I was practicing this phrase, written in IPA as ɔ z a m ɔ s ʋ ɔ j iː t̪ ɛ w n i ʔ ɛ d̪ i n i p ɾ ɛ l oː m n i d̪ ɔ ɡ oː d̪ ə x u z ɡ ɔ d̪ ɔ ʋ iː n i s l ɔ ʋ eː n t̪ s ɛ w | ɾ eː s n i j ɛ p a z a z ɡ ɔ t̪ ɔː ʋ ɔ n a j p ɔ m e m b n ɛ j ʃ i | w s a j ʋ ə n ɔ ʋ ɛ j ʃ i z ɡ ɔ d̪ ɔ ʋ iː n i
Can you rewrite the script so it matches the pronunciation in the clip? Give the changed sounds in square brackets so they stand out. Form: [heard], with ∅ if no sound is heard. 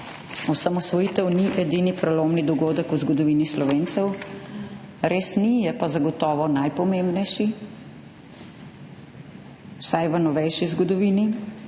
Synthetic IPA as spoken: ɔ [s] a m ɔ s ʋ ɔ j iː t̪ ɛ w n i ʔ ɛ d̪ i n i p ɾ ɛ l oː m n i d̪ ɔ ɡ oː d̪ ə [k] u z ɡ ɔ d̪ ɔ ʋ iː n i s l ɔ ʋ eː n t̪ s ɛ w | ɾ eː s n i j ɛ p a z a [∅] ɡ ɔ t̪ ɔː ʋ ɔ n a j p ɔ m e m b n ɛ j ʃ i | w s a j ʋ ə n ɔ ʋ ɛ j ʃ i z ɡ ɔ d̪ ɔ ʋ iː n i